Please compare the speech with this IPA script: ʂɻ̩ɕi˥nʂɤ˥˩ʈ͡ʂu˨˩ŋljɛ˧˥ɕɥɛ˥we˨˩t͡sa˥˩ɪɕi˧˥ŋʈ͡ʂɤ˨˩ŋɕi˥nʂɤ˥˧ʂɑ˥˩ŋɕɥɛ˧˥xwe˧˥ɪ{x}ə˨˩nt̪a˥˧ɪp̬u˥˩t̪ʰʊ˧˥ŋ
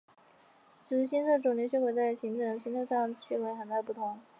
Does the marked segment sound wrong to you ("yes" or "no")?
no